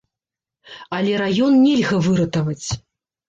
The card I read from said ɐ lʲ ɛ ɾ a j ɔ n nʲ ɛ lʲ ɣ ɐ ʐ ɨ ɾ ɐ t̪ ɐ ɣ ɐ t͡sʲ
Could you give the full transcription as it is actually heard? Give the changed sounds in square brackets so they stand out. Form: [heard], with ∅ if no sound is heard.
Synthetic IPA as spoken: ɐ lʲ ɛ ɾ a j ɔ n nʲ ɛ lʲ ɣ ɐ [v] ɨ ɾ ɐ t̪ ɐ [v] ɐ t͡sʲ